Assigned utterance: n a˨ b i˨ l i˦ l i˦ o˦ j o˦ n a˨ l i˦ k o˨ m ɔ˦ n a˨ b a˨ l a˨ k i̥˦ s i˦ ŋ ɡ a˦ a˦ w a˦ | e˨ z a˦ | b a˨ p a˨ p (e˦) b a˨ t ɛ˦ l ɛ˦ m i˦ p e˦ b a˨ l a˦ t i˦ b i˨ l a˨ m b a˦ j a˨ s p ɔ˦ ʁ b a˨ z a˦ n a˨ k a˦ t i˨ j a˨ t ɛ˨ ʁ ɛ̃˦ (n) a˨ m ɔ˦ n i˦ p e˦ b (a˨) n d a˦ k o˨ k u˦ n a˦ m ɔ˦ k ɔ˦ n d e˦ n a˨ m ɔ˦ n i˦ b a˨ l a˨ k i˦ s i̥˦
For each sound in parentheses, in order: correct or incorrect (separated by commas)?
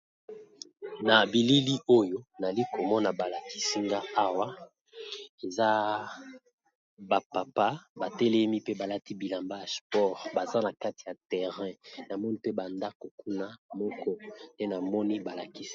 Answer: incorrect, correct, correct